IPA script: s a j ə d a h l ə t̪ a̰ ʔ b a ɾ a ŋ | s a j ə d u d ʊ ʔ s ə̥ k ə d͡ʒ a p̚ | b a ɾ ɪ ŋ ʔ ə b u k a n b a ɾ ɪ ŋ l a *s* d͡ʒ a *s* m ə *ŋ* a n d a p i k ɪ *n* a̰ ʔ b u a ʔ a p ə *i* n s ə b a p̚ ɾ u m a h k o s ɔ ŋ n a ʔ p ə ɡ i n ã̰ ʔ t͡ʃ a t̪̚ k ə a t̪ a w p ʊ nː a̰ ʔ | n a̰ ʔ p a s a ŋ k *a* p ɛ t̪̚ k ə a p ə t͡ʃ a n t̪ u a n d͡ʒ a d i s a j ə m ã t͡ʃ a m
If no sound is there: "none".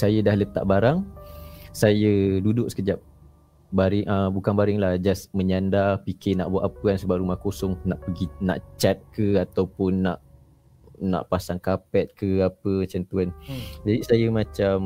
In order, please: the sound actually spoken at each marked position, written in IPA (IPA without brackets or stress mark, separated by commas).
h, s, ɲ, n, a, a